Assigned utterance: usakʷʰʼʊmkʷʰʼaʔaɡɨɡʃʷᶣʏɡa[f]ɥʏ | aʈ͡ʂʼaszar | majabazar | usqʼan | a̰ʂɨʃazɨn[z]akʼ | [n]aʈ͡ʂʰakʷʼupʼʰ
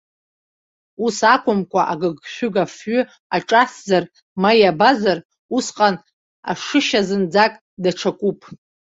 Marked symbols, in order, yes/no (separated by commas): yes, no, no